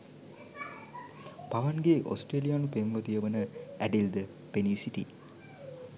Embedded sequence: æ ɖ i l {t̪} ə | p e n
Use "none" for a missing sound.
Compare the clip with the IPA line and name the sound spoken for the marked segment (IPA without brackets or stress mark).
d̪